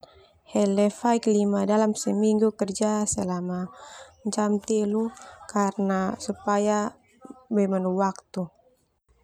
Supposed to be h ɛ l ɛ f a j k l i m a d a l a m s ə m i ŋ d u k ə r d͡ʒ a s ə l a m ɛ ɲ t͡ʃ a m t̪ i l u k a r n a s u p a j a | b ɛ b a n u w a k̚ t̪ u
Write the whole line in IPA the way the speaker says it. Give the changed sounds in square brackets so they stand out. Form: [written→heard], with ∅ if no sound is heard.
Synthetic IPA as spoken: h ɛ l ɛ f a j k l i m a d a l a m s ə m i ŋ [d→ɡ] u k ə r d͡ʒ a s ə l a m [ɛ→a] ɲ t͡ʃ a m t̪ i l u k a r n a s u p a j a | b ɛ [b→m] a n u w a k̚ t̪ u